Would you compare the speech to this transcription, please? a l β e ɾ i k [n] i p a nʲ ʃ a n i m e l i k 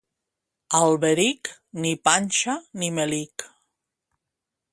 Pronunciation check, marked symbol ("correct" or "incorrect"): correct